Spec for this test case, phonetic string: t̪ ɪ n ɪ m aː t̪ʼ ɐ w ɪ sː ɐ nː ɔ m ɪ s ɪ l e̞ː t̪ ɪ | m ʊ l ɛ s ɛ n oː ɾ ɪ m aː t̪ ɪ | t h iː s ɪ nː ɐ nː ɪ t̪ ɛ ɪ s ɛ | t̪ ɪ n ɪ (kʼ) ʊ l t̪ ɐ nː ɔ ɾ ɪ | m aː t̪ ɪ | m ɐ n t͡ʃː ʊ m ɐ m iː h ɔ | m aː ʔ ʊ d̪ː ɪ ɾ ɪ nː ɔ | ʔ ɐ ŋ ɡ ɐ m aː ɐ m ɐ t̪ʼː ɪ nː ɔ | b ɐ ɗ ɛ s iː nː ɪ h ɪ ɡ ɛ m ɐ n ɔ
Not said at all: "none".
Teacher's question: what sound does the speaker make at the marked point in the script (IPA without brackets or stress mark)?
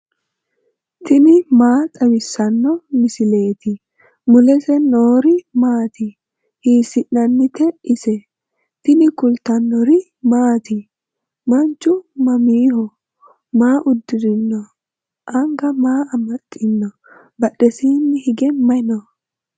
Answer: k